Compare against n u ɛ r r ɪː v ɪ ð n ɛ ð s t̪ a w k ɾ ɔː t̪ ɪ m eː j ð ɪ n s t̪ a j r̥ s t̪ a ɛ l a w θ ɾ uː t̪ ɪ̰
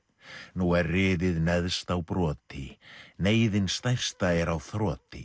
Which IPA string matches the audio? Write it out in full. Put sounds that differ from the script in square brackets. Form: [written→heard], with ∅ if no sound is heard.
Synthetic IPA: n u ɛ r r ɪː [v→ð] ɪ ð n ɛ ð s t̪ a w [k→p] ɾ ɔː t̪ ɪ [m→n] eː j ð ɪ n s t̪ a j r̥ s t̪ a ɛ [l→ɾ] a w θ ɾ [uː→ɔː] t̪ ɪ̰

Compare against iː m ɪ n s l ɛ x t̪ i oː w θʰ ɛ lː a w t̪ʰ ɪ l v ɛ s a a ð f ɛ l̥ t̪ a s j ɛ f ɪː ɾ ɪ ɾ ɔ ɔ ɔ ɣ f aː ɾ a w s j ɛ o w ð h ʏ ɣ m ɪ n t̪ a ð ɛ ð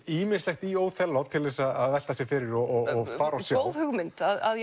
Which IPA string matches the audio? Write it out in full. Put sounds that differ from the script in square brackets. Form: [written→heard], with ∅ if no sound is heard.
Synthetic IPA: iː m ɪ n s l ɛ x t̪ i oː w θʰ ɛ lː a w t̪ʰ ɪ l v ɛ s a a ð [f→v] ɛ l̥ t̪ a s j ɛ f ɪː ɾ ɪ ɾ ɔ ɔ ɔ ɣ f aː ɾ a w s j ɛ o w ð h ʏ ɣ m ɪ n t̪ a ð [ɛ→a] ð

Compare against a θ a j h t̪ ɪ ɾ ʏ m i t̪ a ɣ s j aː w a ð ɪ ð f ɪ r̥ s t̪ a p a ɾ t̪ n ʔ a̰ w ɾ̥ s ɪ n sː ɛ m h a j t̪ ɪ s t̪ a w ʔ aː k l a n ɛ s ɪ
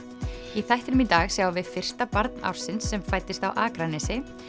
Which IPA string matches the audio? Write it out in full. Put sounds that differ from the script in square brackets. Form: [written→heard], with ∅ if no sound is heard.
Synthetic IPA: [a→i] θ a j h t̪ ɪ ɾ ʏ m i t̪ a ɣ s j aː w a [ð→v] ɪ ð f ɪ r̥ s t̪ a p a ɾ t̪ n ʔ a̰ w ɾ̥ s ɪ n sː ɛ m [h→f] a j t̪ ɪ s t̪ a w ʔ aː k [l→ɾ] a n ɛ s ɪ

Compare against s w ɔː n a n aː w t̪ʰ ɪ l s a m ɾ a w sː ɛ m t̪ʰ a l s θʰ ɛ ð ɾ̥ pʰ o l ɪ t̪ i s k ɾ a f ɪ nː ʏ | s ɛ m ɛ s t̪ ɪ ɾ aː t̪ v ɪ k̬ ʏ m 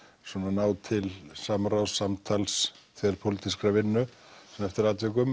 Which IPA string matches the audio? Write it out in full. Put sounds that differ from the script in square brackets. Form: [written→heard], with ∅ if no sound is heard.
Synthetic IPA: s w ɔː n a n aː w t̪ʰ ɪ l s a m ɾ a w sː [ɛ→a] m t̪ʰ a l s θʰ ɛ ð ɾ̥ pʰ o l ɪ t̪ i s k ɾ a [f→v] ɪ nː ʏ | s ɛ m ɛ [s→f] t̪ ɪ ɾ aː t̪ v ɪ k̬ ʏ m

